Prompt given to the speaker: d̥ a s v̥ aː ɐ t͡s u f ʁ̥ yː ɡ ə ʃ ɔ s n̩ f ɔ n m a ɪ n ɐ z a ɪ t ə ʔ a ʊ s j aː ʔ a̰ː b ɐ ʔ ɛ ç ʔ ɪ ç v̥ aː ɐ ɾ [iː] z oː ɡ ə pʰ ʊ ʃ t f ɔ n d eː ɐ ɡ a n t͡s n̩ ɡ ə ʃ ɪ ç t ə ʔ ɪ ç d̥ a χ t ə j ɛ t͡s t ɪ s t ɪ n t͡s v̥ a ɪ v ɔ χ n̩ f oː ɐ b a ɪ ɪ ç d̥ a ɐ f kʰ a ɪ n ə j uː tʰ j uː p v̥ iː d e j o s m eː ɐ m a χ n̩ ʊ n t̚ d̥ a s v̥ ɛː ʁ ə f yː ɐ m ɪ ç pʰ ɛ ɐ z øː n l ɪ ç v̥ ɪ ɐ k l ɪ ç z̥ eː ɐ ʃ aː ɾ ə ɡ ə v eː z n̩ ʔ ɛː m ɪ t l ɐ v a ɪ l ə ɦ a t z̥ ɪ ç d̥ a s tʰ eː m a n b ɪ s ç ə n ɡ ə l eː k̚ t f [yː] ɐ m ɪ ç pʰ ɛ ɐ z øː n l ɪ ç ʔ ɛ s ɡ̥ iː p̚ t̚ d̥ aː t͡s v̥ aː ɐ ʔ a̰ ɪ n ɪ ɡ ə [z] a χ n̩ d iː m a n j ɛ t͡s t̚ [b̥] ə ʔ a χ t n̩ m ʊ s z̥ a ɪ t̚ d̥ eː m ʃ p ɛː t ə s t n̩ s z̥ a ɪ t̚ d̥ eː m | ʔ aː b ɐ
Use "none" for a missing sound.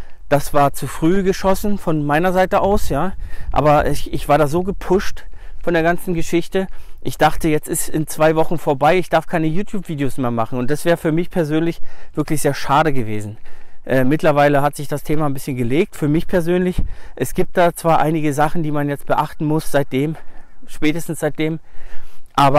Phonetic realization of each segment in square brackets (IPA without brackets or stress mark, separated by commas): aː, yː, z, b̥